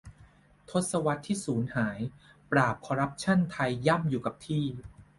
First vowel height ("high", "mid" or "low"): mid